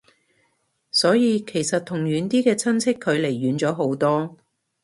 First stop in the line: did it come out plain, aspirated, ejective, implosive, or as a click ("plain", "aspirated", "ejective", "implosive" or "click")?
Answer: aspirated